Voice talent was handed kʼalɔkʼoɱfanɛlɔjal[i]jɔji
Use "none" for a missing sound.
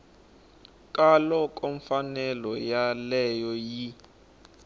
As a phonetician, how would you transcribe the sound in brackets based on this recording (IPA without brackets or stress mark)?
ɛ